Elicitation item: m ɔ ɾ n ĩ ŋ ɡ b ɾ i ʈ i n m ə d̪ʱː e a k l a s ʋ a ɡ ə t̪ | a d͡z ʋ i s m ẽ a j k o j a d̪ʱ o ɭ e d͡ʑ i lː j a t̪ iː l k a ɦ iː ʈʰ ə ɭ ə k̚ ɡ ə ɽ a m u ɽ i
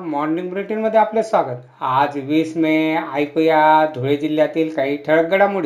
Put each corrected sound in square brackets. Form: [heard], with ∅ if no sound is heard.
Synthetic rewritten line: m ɔ ɾ n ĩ ŋ ɡ b ɾ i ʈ i n m ə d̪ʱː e a [p] l [e] s ʋ a ɡ ə t̪ | a d͡z ʋ i s m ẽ a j k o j a d̪ʱ o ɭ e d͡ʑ i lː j a t̪ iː l k a ɦ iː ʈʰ ə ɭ ə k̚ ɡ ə ɽ a m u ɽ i